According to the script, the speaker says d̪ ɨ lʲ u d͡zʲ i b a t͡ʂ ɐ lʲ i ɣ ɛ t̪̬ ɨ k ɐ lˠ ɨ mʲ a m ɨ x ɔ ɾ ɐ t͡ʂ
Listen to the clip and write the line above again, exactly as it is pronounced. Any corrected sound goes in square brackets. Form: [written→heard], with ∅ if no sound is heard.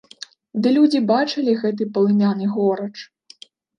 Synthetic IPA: d̪ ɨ lʲ u d͡zʲ i b a t͡ʂ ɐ lʲ i ɣ ɛ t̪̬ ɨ [k→p] ɐ lˠ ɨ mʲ a [m→n] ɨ [x→ɣ] ɔ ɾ ɐ t͡ʂ